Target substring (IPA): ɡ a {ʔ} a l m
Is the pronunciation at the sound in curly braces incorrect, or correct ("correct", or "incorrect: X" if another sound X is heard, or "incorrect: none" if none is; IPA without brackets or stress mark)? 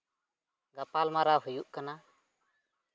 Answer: incorrect: p